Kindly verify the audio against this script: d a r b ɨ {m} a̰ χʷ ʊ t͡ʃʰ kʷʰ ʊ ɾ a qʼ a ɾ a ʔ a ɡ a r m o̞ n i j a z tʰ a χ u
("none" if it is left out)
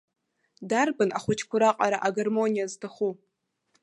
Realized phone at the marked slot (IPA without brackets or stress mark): n